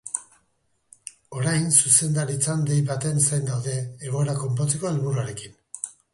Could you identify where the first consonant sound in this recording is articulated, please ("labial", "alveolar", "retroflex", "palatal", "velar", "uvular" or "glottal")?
alveolar